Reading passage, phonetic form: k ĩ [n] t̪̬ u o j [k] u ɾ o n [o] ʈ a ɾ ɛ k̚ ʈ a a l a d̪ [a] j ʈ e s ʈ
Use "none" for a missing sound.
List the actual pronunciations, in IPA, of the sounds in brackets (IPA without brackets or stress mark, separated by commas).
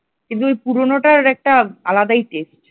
n, p, o, a